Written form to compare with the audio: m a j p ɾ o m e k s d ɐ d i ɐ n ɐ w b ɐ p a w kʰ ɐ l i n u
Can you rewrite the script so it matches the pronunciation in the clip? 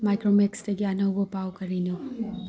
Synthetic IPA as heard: m a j k ɾ o m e k s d ɐ ɡ i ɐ n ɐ w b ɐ p a w k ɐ ɾ i n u